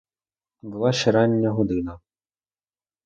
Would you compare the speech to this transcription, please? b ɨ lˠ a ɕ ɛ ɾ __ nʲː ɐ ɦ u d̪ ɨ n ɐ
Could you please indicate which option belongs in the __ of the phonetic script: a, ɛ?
a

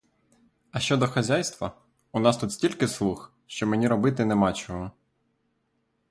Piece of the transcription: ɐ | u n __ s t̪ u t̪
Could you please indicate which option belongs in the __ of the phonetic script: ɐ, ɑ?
ɑ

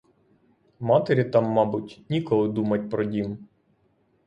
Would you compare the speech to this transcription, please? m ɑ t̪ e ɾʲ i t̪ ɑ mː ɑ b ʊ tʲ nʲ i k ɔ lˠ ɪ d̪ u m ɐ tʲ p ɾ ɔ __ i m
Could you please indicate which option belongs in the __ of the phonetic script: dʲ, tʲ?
dʲ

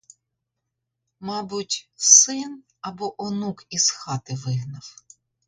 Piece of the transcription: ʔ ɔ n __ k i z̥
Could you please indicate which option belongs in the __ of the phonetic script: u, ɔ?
u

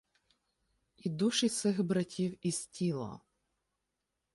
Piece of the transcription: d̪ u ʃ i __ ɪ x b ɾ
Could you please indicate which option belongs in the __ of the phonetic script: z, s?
s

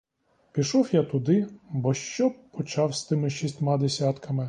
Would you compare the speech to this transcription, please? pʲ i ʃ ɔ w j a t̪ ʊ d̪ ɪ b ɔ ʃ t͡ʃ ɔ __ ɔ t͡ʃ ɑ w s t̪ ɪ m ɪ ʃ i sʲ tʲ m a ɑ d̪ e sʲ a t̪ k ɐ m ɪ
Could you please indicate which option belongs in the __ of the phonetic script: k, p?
p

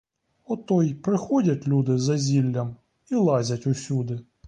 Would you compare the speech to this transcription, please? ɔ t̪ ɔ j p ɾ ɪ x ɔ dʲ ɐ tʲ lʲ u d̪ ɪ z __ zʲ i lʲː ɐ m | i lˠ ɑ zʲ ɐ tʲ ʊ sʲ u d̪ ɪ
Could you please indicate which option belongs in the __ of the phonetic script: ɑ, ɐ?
ɐ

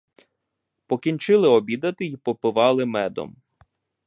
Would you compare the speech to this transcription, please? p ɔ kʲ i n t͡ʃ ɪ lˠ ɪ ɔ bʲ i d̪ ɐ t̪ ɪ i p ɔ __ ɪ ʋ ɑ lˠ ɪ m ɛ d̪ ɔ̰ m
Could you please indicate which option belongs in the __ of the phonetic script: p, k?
p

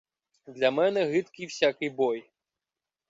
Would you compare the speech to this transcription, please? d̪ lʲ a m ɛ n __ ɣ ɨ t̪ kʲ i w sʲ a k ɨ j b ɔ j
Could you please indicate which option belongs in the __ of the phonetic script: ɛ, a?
ɛ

